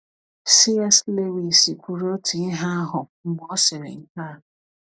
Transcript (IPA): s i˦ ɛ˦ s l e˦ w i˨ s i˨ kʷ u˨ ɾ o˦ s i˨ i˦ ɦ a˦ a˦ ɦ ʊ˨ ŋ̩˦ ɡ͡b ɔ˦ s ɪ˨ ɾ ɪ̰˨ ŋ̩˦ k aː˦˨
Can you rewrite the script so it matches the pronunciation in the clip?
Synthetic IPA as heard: s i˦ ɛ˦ s l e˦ w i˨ s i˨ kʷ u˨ ɾ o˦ t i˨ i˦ ɦ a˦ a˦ ɦ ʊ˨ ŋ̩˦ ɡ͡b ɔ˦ s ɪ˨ ɾ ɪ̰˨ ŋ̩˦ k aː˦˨